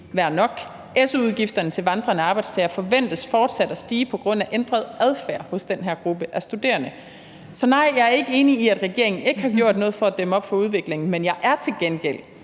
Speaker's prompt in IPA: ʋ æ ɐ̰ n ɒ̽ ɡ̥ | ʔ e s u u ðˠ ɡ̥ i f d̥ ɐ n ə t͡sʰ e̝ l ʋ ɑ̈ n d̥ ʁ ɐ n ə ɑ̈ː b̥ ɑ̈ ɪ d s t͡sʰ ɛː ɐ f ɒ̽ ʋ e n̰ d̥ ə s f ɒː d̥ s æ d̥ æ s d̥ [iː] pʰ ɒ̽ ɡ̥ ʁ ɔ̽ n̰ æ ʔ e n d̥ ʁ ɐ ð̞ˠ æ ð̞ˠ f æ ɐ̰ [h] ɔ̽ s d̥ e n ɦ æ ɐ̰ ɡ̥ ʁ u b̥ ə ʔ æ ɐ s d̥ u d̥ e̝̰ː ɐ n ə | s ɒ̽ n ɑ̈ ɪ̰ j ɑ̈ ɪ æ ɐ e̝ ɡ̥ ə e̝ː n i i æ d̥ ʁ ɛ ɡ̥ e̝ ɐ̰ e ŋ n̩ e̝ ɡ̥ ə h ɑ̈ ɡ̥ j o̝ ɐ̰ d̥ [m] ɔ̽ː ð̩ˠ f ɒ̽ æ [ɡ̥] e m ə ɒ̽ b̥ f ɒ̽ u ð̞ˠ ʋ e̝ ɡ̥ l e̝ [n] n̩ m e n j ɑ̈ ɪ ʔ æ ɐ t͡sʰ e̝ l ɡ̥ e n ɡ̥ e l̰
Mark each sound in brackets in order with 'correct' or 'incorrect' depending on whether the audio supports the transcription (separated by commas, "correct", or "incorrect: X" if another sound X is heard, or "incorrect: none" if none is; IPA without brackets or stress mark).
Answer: correct, correct, incorrect: n, incorrect: d̥, incorrect: ŋ